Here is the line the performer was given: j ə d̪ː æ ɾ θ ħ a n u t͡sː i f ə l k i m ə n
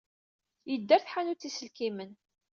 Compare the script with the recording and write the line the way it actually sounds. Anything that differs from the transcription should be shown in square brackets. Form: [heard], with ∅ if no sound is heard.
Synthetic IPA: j ə d̪ː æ ɾ θ ħ a n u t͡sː i [s] ə l k i m ə n